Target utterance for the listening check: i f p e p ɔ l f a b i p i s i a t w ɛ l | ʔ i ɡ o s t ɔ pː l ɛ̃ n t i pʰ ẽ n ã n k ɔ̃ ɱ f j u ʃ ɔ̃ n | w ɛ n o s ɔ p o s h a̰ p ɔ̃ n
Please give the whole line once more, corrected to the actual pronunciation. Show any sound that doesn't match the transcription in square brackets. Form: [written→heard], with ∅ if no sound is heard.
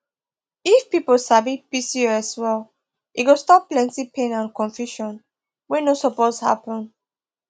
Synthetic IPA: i f p [e→i] p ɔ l [f→s] a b i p i s i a [t→s] w ɛ l | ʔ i ɡ o s t ɔ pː l ɛ̃ n t i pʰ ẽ n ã n k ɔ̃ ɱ f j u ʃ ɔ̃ n | w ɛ n o s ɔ p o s h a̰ p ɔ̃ n